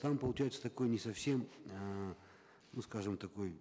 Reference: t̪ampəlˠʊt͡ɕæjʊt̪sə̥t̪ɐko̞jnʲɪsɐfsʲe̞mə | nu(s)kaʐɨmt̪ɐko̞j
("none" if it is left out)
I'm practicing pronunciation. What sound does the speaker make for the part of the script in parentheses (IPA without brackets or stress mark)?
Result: s